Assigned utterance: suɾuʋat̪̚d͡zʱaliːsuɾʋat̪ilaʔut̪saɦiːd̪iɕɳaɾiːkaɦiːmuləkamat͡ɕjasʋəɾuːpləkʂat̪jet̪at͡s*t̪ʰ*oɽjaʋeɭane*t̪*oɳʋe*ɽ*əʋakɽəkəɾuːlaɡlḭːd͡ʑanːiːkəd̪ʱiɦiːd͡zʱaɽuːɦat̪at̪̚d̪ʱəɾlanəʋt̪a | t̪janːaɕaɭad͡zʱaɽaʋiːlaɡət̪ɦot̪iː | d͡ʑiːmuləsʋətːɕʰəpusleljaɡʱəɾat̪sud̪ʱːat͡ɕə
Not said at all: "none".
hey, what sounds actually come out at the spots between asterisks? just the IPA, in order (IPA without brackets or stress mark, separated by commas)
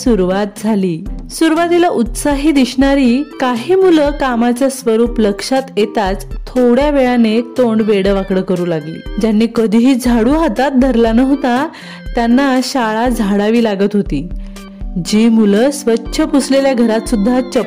t̪ʰ, t̪, ɽ